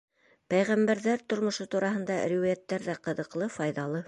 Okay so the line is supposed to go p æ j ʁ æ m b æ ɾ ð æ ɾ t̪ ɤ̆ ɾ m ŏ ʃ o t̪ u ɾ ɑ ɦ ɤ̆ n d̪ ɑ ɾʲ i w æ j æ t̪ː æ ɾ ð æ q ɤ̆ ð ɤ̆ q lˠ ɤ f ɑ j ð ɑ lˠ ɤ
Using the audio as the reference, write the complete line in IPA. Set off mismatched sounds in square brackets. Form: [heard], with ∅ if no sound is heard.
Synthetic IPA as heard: p æ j ʁ æ m b æ ɾ ð æ ɾ t̪ [ŏ] ɾ m ŏ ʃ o t̪ u ɾ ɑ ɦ ɤ̆ n d̪ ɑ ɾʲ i w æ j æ t̪ː æ ɾ ð æ q ɤ̆ ð ɤ̆ q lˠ ɤ f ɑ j ð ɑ lˠ ɤ